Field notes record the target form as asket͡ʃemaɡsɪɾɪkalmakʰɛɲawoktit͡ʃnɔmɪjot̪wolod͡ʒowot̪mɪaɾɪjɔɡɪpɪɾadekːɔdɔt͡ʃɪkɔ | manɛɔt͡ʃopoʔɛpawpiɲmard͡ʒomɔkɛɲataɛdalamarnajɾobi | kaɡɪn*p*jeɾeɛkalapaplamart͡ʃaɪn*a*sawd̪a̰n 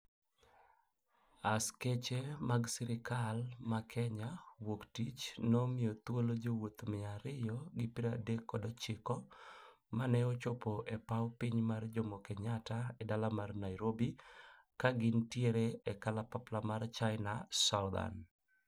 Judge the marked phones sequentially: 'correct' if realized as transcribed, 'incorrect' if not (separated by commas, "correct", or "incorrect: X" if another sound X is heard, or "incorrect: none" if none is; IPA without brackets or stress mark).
incorrect: t, correct